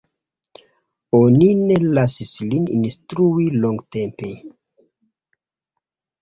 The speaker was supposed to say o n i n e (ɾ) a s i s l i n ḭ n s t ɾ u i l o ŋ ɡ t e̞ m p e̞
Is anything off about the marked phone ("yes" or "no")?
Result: yes